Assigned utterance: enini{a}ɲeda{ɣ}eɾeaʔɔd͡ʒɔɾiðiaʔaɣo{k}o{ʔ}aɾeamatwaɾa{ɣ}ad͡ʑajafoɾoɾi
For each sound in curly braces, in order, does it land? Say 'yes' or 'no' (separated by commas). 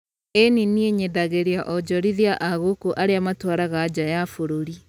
no, yes, yes, yes, yes